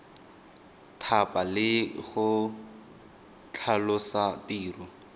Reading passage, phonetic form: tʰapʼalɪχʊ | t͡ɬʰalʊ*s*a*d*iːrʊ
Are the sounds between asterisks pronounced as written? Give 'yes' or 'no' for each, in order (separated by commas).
yes, no